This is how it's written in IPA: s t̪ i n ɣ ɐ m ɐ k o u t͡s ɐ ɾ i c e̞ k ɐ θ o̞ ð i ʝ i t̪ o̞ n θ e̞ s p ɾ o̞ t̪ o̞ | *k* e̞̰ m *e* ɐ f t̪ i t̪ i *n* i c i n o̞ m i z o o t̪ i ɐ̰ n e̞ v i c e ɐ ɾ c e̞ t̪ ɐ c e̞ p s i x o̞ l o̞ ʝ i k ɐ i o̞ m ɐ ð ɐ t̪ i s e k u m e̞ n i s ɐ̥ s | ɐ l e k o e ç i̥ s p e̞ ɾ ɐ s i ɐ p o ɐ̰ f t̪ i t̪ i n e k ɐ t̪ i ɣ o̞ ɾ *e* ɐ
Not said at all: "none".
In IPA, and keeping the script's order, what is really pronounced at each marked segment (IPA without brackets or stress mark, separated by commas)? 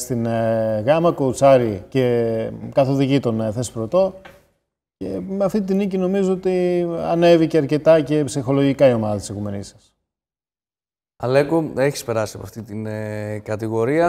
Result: c, e, n, i